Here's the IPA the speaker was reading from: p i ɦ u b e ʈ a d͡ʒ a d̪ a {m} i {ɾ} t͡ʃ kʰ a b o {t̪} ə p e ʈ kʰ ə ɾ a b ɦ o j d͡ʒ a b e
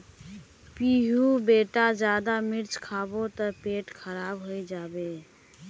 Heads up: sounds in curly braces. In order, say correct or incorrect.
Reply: correct, correct, correct

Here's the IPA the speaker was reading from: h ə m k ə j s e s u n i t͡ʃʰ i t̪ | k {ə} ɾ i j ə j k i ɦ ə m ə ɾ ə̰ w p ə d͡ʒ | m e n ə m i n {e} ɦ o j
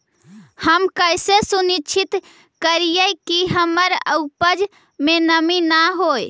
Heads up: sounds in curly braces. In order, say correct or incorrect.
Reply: correct, incorrect: a

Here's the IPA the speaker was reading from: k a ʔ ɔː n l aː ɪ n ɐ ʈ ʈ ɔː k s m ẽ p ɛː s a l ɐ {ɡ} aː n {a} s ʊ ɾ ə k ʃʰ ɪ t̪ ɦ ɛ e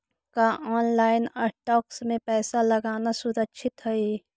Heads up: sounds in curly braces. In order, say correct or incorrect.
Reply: correct, correct

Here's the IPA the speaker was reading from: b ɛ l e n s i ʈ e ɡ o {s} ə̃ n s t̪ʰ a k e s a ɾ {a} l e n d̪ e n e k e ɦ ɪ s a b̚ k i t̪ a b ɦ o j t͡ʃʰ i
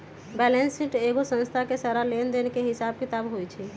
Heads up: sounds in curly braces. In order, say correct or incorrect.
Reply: correct, correct

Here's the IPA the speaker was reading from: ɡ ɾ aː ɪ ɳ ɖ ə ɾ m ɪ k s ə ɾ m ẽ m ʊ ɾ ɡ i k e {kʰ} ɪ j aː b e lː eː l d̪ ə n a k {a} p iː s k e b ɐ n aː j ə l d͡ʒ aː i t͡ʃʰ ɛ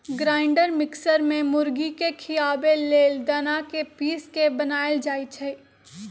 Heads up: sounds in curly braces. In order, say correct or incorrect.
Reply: correct, incorrect: e

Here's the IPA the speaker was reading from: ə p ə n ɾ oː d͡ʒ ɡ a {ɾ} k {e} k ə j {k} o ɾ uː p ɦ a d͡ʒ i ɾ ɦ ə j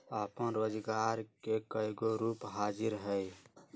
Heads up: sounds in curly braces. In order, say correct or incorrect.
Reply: correct, correct, incorrect: ɡ

